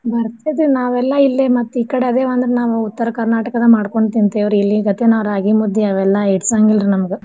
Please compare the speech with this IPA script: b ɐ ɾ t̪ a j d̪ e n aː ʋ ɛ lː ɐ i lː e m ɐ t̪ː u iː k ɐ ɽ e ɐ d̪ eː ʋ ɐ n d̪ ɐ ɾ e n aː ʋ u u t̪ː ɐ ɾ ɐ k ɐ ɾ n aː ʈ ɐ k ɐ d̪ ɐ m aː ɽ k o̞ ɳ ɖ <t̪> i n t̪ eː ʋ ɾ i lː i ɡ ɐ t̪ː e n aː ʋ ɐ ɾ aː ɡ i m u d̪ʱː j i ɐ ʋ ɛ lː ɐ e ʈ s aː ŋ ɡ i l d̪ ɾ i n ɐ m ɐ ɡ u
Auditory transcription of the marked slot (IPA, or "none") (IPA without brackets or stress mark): t̪